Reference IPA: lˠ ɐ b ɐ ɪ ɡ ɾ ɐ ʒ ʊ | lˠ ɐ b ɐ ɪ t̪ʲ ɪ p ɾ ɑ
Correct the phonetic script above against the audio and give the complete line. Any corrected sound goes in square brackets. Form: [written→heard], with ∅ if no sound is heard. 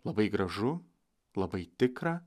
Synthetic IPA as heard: lˠ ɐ b ɐ ɪ ɡ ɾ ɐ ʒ ʊ | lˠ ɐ b ɐ ɪ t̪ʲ ɪ [p→k] ɾ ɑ